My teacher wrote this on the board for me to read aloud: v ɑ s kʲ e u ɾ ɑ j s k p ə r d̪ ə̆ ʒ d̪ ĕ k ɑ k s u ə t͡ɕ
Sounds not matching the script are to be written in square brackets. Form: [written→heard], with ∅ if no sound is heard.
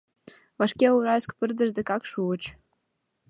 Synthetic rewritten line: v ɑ [s→ʃ] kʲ e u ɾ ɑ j s k p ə r d̪ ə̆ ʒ d̪ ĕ k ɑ k [s→ʃ] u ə t͡ɕ